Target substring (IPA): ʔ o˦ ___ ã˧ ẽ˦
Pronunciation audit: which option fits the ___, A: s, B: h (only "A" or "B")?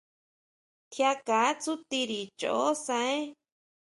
A